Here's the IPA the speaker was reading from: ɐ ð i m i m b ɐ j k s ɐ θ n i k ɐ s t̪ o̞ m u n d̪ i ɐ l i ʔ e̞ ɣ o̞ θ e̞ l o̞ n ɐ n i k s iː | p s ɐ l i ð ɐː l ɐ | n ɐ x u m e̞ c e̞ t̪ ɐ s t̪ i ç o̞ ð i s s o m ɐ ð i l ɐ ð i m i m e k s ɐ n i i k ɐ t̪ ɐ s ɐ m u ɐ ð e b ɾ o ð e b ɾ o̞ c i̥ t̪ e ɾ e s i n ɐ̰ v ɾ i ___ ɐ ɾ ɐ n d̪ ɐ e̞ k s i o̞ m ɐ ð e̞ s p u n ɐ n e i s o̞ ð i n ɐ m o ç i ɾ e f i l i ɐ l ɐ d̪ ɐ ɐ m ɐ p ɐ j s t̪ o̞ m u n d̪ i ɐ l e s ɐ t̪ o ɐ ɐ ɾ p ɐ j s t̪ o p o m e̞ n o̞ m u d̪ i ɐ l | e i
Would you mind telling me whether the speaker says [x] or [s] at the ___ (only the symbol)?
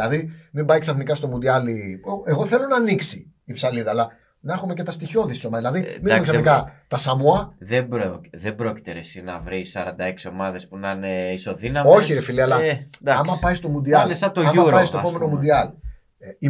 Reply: s